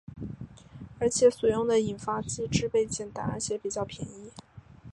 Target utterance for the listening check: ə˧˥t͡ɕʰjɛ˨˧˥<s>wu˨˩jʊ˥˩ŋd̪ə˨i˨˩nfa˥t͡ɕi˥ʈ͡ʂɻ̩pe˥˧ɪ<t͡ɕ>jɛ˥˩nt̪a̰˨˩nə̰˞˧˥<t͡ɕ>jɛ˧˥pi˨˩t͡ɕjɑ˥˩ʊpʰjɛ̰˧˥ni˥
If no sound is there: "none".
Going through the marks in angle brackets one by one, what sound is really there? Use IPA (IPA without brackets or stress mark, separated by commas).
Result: s, t͡ɕ, t͡ɕʰ